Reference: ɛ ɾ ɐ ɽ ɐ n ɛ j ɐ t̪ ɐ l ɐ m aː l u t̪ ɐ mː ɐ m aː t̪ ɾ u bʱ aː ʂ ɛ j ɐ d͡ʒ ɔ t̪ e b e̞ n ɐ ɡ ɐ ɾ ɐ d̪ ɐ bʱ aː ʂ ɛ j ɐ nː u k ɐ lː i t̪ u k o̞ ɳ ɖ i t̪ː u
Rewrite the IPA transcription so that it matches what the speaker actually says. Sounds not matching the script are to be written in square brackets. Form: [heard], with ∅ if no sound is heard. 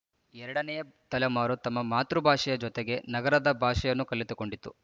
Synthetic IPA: ɛ ɾ ɐ ɽ ɐ n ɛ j ɐ t̪ ɐ l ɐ m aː [ɾ] u t̪ ɐ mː ɐ m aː t̪ ɾ u bʱ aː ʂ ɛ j ɐ d͡ʒ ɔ t̪ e [ɡ] e̞ n ɐ ɡ ɐ ɾ ɐ d̪ ɐ bʱ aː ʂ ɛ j ɐ nː u k ɐ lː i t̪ u k o̞ ɳ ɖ i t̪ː u